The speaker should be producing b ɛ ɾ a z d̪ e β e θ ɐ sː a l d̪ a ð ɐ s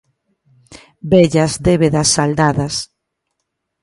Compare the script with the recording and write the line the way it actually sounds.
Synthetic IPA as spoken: b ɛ ʎ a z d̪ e β e ð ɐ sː a l d̪ a ð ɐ s